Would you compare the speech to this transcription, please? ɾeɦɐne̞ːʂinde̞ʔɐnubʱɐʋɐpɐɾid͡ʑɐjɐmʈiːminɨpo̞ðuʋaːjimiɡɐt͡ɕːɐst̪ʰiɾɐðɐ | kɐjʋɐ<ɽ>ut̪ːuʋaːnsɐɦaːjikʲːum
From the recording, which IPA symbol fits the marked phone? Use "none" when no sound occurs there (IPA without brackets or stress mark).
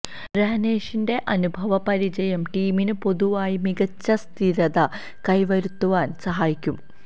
ɾ